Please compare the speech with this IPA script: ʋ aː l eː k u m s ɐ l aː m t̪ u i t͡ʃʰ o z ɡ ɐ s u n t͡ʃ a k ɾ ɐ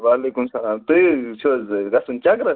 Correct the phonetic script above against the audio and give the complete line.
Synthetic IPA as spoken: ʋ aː l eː k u m s ɐ l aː m t̪ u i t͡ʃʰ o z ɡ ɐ s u n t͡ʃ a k ɾ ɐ